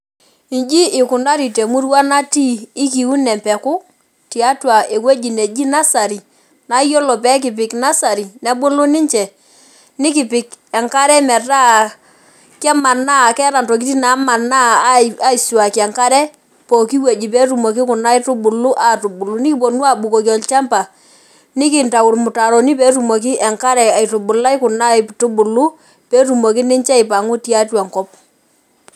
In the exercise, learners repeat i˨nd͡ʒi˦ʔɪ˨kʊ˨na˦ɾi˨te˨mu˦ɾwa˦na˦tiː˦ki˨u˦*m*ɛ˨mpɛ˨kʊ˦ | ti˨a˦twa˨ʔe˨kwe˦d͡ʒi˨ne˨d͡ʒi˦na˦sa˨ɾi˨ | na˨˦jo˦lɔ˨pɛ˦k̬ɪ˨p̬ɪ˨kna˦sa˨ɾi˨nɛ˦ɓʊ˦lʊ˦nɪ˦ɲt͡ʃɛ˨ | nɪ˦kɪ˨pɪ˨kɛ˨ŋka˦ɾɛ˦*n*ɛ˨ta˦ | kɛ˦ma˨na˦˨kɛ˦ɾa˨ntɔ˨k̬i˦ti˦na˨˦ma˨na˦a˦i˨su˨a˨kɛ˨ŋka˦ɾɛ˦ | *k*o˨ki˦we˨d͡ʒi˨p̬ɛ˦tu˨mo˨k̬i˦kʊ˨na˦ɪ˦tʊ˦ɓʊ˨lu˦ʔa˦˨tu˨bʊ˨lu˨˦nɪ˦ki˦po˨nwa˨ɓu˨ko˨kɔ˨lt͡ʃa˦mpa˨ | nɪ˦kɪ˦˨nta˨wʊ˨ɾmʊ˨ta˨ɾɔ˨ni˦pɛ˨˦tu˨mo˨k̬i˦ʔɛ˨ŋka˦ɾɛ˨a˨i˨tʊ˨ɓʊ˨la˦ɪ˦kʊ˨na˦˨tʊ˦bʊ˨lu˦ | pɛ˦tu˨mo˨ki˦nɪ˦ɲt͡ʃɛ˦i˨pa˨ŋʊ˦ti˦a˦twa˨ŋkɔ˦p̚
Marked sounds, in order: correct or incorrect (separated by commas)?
incorrect, incorrect, incorrect